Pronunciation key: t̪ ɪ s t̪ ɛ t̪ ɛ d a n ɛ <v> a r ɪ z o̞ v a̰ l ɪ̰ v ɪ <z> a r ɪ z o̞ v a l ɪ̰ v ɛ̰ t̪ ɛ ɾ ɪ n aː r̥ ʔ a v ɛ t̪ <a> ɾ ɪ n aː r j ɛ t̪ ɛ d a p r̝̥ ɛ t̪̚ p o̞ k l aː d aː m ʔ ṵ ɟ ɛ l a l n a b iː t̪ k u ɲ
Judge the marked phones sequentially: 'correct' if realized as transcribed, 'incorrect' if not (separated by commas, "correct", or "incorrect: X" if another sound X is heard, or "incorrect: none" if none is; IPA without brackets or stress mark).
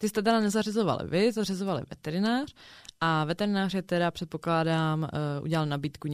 incorrect: z, correct, incorrect: ɛ